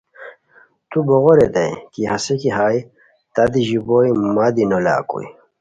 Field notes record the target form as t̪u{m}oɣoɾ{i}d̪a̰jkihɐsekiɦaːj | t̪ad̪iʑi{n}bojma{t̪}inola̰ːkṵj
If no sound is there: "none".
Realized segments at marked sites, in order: b, e, none, d̪

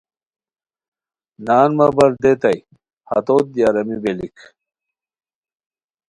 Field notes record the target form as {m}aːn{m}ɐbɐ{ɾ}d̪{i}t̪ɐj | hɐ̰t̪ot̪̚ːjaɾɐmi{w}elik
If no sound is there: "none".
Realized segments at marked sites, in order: n, m, ɾ, e, b

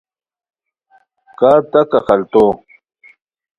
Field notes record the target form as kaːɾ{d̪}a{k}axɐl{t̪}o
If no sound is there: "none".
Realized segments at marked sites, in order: t̪, k, t̪

